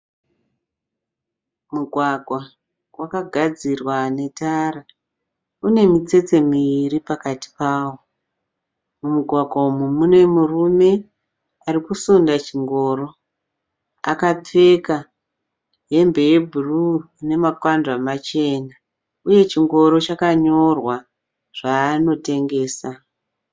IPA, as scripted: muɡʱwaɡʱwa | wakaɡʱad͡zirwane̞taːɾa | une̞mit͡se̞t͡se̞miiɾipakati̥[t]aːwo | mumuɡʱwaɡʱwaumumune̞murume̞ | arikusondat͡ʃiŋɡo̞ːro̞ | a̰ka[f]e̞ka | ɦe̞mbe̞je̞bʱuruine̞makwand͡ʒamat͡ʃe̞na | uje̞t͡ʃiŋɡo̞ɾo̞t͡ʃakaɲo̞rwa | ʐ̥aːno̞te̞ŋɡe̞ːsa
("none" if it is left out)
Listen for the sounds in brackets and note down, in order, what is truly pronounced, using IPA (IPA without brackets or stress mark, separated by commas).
p, p͡f